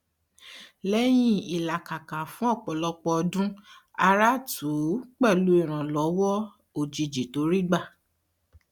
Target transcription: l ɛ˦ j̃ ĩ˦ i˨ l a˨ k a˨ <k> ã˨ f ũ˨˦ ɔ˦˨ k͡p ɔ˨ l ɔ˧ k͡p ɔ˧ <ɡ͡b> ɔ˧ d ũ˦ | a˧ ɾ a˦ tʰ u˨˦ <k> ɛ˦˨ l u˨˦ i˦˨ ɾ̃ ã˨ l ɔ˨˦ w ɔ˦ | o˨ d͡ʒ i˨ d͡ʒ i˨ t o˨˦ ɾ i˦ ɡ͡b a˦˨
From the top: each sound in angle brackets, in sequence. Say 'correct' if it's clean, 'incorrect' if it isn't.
correct, incorrect, incorrect

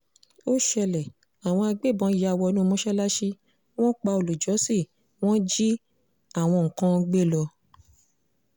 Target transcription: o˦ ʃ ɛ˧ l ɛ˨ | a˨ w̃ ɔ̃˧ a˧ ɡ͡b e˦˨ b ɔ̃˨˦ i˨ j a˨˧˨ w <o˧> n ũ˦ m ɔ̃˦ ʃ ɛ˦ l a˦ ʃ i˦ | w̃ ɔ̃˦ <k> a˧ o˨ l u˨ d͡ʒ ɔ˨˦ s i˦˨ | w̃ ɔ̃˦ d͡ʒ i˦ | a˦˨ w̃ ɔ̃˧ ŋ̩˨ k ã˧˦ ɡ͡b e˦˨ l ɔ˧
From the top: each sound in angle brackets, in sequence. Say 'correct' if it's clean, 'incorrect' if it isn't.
incorrect, incorrect

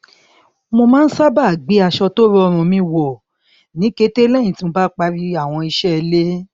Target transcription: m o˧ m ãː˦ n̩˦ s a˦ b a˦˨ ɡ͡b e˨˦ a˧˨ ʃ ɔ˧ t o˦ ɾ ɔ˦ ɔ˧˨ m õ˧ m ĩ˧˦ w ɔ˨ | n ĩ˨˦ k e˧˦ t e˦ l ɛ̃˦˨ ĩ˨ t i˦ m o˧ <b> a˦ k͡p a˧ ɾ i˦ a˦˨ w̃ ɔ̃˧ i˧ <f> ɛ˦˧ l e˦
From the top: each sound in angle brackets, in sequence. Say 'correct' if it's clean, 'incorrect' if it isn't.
correct, incorrect

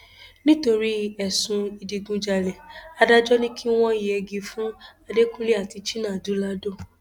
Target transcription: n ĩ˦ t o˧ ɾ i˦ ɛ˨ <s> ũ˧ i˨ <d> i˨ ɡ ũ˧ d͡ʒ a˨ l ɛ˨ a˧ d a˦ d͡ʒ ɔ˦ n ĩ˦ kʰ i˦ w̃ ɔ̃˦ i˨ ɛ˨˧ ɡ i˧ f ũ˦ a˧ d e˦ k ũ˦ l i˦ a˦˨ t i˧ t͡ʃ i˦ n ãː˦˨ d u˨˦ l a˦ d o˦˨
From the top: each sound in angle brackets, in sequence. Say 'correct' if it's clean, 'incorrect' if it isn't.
correct, correct

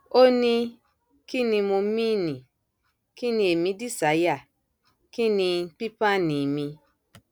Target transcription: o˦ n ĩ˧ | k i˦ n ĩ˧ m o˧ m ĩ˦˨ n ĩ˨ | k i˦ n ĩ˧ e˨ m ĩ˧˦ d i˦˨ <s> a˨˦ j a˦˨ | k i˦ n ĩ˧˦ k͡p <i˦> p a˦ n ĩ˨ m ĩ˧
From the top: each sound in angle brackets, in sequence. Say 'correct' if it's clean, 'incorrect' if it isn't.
correct, correct

